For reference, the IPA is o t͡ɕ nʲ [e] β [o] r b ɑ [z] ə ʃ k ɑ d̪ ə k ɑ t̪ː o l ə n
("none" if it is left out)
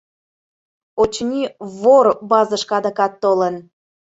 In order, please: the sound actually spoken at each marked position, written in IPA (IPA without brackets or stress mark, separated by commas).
i, o, z